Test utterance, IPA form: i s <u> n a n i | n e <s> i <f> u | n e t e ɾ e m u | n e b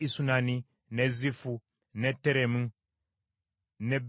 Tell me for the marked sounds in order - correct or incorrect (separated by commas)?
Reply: correct, incorrect, correct